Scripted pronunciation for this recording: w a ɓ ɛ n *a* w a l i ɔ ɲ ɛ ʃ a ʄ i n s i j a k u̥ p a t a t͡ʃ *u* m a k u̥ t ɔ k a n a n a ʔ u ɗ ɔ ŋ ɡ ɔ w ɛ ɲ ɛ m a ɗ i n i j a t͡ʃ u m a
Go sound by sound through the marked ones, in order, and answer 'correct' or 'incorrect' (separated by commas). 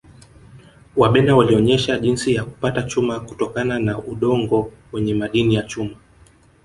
correct, correct